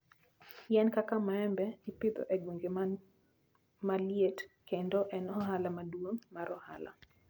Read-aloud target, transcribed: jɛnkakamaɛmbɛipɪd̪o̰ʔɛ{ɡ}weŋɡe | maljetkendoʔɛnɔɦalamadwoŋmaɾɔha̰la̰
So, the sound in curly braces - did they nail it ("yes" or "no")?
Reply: yes